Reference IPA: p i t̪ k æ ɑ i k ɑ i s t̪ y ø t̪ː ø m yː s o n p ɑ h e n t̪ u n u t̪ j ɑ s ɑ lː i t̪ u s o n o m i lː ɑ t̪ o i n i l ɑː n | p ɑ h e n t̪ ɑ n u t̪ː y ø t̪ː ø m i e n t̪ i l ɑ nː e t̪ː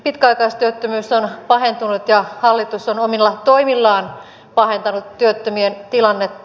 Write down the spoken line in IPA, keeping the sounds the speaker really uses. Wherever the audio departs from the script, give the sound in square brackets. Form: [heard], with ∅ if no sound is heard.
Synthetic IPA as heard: p i t̪ k æ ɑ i k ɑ i s t̪ y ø t̪ː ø m yː s o n p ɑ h e n t̪ u n u t̪ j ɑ [h] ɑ lː i t̪ u s o n o m i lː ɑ t̪ o i [m] i [lː] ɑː n | p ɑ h e n t̪ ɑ n u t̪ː y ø t̪ː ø m i e n t̪ i l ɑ nː e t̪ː

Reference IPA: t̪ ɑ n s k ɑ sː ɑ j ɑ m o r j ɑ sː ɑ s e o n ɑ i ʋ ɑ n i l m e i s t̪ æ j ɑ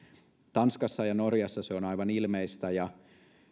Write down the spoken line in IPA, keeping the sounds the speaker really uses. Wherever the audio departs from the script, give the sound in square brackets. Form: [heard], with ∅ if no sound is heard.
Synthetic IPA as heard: t̪ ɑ n s k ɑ sː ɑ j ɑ [n] o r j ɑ sː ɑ s e o n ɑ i ʋ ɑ n i l m e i s t̪ æ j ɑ

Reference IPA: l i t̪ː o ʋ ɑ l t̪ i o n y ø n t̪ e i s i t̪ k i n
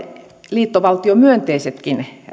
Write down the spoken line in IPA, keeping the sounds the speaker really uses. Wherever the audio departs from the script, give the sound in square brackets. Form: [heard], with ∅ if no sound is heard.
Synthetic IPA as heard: l [iː] t̪ː o ʋ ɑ l t̪ i o [m] y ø n t̪ e i s [e] t̪ k i n

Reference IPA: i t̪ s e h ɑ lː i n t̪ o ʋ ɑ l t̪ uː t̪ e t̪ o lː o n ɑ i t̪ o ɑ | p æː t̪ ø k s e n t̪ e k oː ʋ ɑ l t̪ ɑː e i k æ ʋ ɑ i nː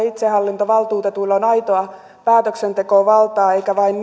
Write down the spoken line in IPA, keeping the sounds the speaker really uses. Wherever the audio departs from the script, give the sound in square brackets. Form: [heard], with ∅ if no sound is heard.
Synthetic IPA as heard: i t̪ s e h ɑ lː i n t̪ o ʋ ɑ l t̪ uː t̪ e t̪ [u] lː o n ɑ i t̪ o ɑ | p æː t̪ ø k s e n t̪ e k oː ʋ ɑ l t̪ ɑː e i k æ ʋ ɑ i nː

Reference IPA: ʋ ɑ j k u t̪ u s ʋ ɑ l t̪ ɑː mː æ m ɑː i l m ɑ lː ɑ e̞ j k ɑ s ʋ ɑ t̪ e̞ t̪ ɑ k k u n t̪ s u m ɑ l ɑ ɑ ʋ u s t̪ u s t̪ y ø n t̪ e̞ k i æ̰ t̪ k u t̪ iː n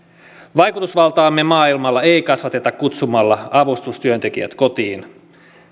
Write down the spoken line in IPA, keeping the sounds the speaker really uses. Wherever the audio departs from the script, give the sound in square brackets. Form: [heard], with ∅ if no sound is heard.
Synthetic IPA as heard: ʋ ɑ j k u t̪ u s ʋ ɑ l t̪ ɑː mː [e] m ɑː i l m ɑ lː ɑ e̞ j k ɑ s ʋ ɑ t̪ e̞ t̪ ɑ k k u [∅] t̪ s u m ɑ [lː] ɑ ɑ ʋ u s t̪ u s t̪ y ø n t̪ e̞ k i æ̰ t̪ k [o] t̪ iː n

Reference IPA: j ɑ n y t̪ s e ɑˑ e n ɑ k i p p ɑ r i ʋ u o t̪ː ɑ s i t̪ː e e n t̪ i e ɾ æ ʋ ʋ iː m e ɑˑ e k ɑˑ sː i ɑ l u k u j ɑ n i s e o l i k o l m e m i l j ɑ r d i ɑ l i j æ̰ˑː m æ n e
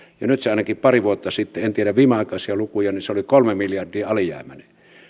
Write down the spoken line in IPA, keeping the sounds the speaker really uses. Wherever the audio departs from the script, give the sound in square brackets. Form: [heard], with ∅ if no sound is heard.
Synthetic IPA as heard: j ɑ n y t̪ s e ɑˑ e n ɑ k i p p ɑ r i ʋ u o t̪ː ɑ s i t̪ː e e n t̪ i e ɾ æ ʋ ʋ iː m e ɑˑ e k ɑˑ [s] i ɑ l u k u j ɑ n i s e o l i k o l m e m i l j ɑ r d [iː] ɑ l i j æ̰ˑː m æ n e

